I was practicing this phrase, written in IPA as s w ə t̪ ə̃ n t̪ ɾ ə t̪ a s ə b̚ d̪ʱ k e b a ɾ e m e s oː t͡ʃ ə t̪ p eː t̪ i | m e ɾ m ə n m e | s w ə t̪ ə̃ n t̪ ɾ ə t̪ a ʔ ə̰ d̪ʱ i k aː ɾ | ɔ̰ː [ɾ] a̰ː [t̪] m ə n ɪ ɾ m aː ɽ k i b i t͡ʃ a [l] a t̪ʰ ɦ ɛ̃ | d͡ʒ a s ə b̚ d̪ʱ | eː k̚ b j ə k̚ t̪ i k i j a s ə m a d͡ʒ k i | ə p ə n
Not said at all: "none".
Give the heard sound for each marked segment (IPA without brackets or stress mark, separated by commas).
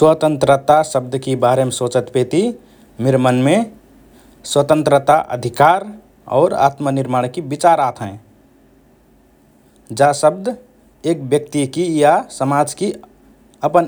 ɾ, t̪, ɾ